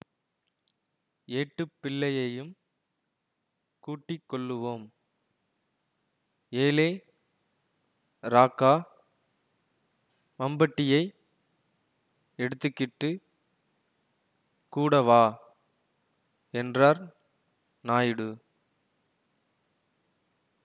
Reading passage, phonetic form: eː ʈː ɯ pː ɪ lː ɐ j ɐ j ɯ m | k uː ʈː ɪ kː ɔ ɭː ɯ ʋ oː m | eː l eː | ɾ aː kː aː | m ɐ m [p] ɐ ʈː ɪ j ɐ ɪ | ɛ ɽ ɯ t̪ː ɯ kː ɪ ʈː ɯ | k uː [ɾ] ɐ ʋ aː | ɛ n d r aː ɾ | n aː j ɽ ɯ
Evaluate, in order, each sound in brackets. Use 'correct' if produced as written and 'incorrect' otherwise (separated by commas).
incorrect, incorrect